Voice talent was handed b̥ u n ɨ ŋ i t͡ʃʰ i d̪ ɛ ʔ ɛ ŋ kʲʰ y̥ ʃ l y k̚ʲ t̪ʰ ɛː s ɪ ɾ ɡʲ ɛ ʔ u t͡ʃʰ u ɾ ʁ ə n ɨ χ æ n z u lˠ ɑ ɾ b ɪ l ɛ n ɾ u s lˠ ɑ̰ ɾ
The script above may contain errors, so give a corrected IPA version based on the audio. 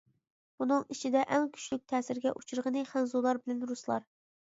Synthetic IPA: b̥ u n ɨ ŋ i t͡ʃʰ i d̪ ɛ ʔ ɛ ŋ kʲʰ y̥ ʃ l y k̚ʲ t̪ʰ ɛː s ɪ ɾ ɡʲ ɛ ʔ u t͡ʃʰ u ɾ ʁ ə n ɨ χ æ n z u lˠ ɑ ɾ b ɪ l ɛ n ɾ u s lˠ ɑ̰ ɾ